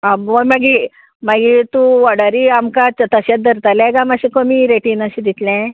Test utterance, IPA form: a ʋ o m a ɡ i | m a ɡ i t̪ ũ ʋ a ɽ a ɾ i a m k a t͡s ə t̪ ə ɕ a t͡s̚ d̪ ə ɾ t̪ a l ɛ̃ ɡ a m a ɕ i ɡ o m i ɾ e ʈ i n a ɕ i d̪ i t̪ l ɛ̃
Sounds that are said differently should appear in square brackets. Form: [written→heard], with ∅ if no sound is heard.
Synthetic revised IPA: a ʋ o m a ɡ i | m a ɡ i t̪ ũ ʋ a ɽ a ɾ i a m k a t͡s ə t̪ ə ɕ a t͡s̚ d̪ ə ɾ t̪ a l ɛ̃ ɡ a m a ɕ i [ɡ→k] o m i ɾ e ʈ i n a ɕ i d̪ i t̪ l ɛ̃